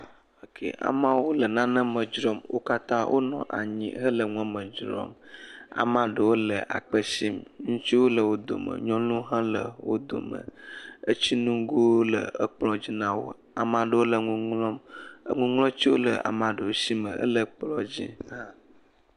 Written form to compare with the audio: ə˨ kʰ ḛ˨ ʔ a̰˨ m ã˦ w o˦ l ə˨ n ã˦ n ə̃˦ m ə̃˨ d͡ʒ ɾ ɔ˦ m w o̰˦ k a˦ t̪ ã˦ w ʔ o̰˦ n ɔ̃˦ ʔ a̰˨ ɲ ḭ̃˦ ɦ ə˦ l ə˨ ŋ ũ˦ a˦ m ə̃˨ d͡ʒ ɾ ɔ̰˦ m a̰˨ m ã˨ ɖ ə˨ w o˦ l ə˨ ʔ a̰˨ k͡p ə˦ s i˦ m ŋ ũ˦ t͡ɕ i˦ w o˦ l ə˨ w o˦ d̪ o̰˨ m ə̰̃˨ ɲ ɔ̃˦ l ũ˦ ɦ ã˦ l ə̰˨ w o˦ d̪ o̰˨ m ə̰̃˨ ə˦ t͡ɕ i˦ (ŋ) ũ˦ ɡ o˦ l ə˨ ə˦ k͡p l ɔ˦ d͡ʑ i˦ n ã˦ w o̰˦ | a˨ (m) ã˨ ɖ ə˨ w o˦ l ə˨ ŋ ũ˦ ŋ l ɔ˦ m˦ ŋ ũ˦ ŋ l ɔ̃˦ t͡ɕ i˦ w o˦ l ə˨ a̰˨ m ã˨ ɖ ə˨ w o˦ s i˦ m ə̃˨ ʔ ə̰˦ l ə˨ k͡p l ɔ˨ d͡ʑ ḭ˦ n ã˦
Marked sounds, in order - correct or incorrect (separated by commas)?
incorrect, correct